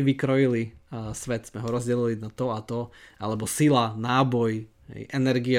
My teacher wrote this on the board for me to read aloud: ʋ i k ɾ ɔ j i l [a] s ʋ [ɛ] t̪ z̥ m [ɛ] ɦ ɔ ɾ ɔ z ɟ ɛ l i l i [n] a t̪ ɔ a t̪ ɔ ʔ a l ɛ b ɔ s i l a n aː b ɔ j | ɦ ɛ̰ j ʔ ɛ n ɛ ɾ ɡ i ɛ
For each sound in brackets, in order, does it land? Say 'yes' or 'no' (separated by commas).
no, yes, yes, yes